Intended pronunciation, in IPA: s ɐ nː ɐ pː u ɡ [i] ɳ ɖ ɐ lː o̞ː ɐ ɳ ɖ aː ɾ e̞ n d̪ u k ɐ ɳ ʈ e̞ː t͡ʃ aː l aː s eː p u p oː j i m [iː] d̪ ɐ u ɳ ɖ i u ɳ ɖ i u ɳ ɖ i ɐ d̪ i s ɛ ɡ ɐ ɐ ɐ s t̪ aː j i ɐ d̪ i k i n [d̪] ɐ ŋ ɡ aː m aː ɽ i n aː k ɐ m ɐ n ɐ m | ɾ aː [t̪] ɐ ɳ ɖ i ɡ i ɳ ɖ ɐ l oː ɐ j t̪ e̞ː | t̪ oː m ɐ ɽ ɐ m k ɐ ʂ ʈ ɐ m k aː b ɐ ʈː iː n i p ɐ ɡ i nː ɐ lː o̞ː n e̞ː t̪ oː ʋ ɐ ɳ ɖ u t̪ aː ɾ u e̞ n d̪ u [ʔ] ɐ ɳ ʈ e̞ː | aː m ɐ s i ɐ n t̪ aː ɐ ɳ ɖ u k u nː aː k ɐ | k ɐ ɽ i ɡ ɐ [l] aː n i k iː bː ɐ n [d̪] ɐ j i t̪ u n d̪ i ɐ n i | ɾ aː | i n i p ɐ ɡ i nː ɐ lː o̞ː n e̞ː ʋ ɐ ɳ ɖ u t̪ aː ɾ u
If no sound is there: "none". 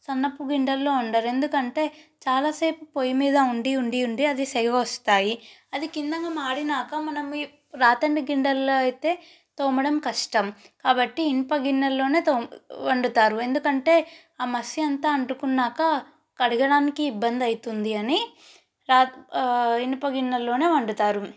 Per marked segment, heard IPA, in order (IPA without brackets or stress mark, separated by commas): i, iː, d̪, t̪, k, ɽ, d̪